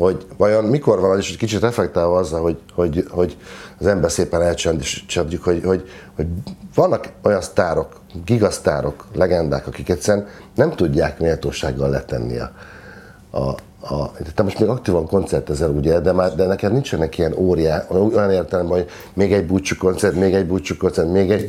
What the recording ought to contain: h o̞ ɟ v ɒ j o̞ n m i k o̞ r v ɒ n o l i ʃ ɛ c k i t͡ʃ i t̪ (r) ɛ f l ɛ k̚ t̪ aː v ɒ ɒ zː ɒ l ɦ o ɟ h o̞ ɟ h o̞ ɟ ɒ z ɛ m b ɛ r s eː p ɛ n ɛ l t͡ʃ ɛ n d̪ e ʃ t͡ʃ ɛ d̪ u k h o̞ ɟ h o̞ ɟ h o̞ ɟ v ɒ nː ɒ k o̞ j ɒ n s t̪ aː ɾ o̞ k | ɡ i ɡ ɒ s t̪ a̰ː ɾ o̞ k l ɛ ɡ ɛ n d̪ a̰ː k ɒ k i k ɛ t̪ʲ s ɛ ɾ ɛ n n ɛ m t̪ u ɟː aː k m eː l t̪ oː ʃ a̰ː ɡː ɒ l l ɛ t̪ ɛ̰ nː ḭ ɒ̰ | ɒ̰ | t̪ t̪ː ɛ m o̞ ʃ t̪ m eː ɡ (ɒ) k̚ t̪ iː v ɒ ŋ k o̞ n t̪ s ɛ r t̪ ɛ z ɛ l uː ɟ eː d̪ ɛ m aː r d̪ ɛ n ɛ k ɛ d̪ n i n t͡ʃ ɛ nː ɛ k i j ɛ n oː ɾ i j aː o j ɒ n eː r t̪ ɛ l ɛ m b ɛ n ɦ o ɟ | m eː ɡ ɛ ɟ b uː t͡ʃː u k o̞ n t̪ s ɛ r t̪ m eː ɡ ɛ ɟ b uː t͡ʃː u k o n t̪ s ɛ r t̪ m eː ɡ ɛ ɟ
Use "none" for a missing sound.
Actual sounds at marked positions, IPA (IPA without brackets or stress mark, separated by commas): r, ɒ